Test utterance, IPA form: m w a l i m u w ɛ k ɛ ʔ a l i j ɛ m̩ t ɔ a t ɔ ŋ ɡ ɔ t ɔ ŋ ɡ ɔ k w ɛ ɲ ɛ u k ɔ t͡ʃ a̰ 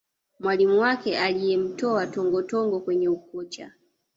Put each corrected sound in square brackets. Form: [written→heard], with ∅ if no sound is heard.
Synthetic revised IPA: m w a l i m u w [ɛ→a] k ɛ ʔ a l i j ɛ m̩ t ɔ a t ɔ ŋ ɡ ɔ t ɔ ŋ ɡ ɔ k w ɛ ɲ ɛ u k ɔ t͡ʃ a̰